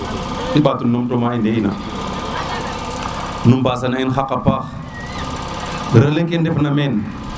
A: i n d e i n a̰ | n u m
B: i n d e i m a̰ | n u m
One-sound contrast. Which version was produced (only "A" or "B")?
A